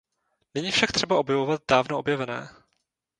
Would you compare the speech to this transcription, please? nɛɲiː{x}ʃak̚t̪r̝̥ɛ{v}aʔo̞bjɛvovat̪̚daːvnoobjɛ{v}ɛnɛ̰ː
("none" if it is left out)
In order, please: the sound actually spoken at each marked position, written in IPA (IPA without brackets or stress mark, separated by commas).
f, b, v